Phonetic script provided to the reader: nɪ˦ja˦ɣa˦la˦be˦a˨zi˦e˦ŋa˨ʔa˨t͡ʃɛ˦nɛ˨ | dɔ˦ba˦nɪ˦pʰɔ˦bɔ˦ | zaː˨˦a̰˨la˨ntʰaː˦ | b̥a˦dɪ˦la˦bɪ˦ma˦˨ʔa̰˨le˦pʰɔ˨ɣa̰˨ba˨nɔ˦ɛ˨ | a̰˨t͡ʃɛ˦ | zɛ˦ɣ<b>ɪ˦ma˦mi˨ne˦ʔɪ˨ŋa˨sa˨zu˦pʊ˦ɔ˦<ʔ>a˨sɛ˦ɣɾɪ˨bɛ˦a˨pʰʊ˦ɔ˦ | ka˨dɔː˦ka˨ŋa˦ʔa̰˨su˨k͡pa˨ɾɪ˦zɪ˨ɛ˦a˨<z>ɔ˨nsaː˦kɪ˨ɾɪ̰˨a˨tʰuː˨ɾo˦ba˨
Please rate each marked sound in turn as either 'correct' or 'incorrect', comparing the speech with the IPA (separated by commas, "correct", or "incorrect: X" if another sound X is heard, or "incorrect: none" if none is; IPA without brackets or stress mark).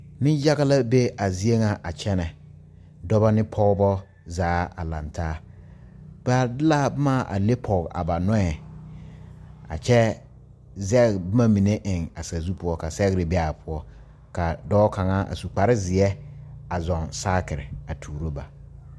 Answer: correct, incorrect: k, correct